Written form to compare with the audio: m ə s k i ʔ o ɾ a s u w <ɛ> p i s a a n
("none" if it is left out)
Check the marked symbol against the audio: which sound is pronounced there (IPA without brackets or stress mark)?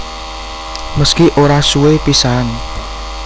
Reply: e